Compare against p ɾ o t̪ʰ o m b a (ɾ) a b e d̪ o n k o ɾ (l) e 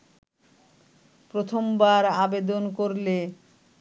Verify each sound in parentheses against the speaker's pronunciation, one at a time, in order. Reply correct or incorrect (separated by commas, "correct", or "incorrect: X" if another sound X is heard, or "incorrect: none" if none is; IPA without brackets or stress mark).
correct, correct